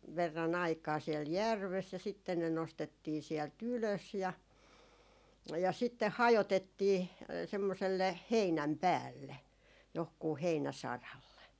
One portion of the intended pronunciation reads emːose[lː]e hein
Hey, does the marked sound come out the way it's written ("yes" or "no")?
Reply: yes